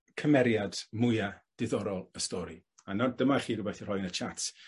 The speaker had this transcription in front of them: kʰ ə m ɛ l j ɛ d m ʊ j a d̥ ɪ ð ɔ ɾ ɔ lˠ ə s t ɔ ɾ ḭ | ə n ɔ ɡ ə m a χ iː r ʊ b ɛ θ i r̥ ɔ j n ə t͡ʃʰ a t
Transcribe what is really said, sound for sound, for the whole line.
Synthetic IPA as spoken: kʰ ə m ɛ ɾ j a d m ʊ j a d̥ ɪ ð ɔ ɾ ɔ lˠ ə s t ɔ ɾ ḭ | a n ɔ d ə m a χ iː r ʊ b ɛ θ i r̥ ɔ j n ə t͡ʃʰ a t